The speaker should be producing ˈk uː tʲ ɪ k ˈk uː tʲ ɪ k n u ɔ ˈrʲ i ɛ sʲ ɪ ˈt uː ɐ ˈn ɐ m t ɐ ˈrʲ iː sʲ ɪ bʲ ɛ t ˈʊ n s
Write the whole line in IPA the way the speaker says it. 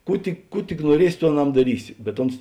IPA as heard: ˈk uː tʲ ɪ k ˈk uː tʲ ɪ k n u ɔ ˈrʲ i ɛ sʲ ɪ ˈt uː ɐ ˈn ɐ m d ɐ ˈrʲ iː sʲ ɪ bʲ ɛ t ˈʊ n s